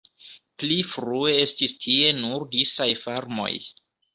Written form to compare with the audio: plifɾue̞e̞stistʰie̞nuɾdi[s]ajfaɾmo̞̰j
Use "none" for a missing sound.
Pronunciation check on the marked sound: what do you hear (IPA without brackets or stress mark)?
s